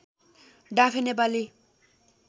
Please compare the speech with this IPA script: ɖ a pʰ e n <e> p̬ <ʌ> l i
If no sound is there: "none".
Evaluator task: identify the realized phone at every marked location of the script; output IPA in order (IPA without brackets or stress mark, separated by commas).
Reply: e, a